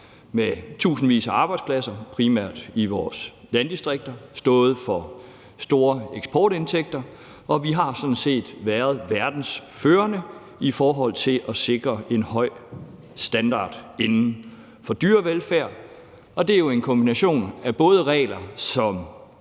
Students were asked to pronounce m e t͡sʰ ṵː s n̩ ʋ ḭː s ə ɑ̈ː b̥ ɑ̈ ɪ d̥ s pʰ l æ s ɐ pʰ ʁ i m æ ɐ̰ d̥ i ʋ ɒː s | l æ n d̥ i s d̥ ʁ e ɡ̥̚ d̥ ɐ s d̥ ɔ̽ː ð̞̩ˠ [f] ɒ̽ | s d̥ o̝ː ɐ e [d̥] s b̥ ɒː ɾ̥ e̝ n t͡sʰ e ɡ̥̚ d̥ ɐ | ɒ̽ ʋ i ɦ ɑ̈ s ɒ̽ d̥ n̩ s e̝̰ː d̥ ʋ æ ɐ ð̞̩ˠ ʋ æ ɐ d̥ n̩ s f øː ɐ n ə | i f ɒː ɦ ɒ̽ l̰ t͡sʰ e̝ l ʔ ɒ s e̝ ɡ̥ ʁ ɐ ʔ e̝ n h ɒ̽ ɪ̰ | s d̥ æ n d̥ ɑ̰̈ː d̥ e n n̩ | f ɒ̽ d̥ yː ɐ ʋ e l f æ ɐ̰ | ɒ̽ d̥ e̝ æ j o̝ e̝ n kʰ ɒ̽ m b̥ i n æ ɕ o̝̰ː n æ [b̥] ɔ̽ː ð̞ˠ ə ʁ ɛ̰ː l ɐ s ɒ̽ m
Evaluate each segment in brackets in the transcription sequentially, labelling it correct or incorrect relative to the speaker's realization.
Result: correct, incorrect, correct

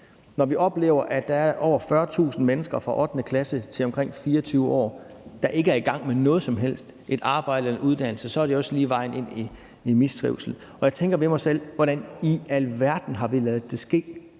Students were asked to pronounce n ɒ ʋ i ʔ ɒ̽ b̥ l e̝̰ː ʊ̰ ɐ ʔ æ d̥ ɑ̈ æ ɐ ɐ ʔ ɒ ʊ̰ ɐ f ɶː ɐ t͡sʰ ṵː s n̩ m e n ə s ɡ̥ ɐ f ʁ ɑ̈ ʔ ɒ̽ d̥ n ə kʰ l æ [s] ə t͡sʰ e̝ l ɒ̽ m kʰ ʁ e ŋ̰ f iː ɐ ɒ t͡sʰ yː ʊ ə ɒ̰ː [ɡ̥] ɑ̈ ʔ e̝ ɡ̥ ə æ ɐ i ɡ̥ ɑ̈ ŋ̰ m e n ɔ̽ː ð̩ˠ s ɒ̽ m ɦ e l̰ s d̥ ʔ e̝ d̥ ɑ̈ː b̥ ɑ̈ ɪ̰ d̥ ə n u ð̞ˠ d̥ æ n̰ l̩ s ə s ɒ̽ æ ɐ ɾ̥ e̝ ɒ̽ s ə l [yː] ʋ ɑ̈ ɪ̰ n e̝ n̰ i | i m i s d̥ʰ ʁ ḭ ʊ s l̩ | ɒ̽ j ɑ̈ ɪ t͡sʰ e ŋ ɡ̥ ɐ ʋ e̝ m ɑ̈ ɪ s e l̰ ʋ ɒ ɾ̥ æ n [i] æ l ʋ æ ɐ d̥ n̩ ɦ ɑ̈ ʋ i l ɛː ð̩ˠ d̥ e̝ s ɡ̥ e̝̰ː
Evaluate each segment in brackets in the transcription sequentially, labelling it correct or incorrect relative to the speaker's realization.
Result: correct, incorrect, incorrect, correct

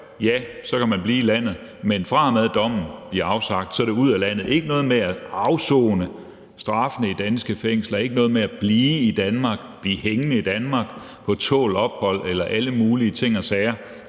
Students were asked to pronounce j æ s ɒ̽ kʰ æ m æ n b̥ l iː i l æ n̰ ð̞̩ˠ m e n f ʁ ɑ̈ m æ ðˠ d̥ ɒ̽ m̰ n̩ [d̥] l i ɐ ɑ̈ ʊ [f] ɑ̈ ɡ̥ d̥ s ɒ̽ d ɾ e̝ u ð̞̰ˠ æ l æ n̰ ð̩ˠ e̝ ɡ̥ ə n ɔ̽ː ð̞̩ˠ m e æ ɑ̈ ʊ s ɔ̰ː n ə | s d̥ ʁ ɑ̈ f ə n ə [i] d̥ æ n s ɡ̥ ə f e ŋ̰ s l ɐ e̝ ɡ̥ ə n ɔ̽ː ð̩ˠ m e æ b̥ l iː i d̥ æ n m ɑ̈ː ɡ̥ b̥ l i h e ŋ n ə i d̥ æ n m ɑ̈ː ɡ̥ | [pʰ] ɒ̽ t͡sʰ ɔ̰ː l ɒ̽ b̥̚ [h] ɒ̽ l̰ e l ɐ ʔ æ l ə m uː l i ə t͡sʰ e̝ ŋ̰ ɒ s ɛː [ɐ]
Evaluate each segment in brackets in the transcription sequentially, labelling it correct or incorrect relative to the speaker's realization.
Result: incorrect, incorrect, correct, correct, correct, correct

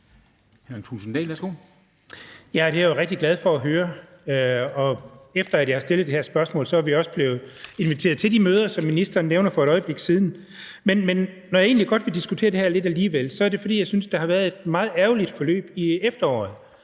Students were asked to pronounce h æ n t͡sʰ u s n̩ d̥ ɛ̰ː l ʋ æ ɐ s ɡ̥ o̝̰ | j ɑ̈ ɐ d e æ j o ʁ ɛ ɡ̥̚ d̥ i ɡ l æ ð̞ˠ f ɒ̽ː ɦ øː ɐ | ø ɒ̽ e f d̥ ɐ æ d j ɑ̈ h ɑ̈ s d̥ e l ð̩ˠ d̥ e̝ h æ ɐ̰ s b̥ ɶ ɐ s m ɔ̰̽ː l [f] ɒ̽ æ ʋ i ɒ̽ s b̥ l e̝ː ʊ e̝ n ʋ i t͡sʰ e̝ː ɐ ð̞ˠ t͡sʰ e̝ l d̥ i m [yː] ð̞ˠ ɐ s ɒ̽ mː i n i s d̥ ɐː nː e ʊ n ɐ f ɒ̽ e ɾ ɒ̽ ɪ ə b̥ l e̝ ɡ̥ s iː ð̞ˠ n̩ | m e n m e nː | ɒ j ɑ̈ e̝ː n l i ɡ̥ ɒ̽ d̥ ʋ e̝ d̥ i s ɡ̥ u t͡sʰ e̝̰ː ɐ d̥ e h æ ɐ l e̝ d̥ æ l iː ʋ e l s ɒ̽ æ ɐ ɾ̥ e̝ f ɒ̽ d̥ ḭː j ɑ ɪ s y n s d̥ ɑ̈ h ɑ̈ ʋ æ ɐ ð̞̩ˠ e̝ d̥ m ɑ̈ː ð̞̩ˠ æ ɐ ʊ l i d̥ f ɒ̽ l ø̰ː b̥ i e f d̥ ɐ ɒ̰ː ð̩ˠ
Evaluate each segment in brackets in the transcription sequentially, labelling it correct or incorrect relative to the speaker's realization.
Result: incorrect, incorrect

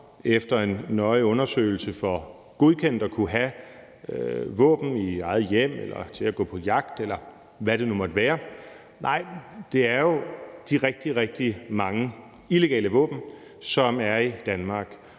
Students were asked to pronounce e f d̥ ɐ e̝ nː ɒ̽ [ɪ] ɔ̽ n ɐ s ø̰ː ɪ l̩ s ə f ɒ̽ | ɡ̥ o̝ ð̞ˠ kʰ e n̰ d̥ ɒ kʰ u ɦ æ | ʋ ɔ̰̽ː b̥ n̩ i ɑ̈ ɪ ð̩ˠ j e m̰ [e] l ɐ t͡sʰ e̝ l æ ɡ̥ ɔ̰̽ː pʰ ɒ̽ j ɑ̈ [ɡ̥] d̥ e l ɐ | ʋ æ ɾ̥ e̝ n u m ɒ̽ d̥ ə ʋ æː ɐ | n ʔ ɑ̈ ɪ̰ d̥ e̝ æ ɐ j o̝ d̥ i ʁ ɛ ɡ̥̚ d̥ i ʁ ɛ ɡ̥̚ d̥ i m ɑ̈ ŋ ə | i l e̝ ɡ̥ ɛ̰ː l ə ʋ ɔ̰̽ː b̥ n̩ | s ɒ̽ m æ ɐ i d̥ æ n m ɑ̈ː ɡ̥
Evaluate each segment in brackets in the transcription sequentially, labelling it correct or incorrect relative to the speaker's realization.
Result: correct, correct, correct

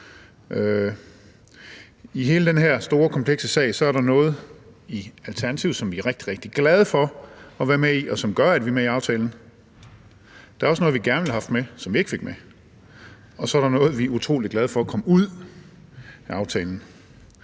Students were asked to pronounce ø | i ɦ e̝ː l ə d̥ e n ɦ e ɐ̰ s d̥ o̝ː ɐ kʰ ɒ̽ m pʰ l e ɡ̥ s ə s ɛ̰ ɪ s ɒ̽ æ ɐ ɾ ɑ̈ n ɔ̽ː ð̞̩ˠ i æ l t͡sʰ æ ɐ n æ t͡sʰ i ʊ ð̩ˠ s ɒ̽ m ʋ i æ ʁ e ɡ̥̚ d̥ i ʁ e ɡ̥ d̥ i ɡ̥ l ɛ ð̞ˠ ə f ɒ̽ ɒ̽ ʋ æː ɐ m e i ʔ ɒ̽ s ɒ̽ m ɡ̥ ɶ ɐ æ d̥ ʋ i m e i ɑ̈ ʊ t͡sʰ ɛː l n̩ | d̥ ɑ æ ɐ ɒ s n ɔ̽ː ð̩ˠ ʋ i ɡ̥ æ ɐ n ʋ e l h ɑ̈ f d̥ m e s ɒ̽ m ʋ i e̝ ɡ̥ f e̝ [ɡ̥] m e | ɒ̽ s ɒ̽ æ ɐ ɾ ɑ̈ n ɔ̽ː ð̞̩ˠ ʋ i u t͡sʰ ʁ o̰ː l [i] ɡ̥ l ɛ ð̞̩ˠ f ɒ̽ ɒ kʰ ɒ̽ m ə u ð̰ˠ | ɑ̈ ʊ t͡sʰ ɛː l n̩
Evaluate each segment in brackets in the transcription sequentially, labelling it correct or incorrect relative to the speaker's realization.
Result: correct, correct

